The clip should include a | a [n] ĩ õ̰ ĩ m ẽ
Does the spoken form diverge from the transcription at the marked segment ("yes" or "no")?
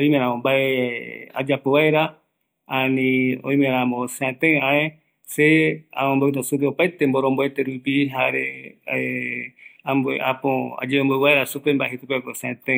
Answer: no